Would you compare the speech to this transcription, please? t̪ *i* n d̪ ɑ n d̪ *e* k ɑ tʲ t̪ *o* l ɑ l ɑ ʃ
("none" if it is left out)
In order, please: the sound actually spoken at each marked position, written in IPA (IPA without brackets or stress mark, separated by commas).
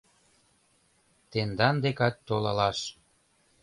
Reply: e, e, o